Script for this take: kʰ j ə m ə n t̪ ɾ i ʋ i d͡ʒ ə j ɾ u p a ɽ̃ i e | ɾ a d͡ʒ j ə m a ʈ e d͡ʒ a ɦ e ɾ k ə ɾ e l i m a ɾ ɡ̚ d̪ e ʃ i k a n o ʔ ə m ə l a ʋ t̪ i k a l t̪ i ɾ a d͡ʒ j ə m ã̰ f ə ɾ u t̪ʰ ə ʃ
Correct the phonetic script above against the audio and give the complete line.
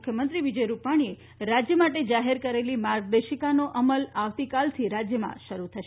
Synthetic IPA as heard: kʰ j ə m ə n t̪ ɾ i ʋ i d͡ʒ ə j ɾ u p a ɽ̃ i e | ɾ a d͡ʒ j ə m a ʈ e d͡ʒ a ɦ e ɾ k ə ɾ e l i m a ɾ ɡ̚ d̪ e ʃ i k a n o ʔ ə m ə l a ʋ t̪ i k a l t̪ʰ i ɾ a d͡ʒ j ə m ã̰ ʃ ə ɾ u t̪ʰ ə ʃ